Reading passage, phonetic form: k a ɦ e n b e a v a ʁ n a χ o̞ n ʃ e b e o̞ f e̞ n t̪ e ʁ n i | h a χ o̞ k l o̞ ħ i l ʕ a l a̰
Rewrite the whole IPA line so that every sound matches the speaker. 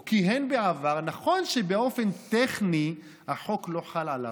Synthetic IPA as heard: k i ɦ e n b e a v a ʁ n a χ o̞ n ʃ e b e o̞ f e̞ n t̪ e χ n i | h a ħ o̞ k l o̞ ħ a l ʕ a l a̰